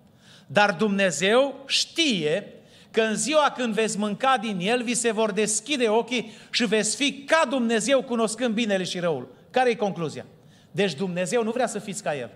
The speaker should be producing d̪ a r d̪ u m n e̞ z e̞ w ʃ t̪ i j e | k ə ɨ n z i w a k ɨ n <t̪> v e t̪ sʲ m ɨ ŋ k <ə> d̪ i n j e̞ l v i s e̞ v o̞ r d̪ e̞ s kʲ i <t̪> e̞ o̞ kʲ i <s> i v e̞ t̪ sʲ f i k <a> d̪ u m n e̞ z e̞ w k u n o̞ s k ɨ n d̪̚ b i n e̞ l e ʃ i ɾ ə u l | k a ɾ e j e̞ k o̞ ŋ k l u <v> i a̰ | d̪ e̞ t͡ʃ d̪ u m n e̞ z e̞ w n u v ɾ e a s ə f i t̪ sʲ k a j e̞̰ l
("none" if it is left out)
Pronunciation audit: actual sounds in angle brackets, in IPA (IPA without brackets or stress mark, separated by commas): d̪, a, d̪, ʃ, a, z